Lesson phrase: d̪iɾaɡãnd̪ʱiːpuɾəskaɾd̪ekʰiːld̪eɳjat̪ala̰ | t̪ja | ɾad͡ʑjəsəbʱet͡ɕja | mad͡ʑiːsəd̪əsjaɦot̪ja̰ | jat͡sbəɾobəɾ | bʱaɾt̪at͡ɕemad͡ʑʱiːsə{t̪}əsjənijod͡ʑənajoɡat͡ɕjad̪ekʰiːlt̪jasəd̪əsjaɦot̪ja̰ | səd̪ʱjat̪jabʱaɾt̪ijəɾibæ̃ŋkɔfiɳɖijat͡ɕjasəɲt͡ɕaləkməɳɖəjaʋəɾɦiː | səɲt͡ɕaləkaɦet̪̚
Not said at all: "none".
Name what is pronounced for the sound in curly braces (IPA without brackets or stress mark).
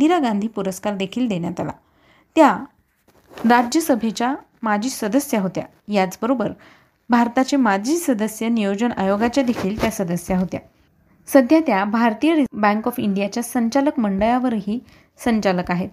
d̪